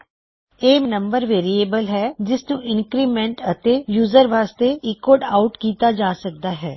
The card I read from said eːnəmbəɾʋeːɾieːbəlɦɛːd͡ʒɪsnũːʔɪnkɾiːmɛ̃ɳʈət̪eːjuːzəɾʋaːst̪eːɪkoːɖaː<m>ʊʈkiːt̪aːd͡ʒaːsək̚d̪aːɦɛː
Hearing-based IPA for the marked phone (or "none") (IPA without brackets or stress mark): none